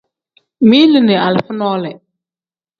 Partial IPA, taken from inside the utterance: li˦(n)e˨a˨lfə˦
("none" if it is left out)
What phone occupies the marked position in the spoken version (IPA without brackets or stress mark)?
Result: n